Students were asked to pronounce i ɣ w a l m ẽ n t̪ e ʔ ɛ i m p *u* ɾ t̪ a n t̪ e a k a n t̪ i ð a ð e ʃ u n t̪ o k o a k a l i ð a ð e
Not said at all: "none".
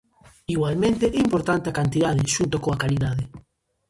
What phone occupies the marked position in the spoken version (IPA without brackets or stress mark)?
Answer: o